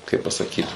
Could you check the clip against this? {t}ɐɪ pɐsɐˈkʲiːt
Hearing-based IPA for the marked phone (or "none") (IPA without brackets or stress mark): k